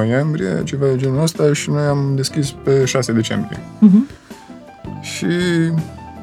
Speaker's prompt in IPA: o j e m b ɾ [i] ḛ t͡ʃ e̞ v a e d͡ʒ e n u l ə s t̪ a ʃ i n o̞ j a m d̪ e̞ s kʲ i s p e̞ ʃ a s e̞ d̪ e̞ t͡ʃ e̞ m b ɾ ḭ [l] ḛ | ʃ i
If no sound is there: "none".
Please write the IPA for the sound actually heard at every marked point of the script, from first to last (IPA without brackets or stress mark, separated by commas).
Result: i, none